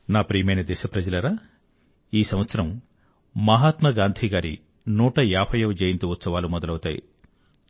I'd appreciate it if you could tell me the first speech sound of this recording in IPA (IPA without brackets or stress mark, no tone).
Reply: n